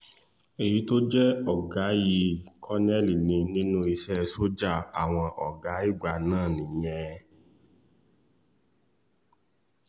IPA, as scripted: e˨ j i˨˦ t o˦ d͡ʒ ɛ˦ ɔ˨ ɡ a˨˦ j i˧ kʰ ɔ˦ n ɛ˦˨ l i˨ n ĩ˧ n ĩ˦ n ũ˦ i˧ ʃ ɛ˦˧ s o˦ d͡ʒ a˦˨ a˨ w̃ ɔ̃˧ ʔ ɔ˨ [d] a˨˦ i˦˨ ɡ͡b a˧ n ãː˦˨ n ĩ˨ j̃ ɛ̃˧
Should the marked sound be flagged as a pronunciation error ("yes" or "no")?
yes